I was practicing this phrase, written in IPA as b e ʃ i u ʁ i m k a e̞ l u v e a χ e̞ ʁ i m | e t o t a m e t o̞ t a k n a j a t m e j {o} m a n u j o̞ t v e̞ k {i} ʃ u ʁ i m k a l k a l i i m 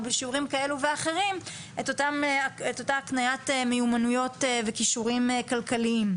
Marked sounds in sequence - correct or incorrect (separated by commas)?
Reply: incorrect, correct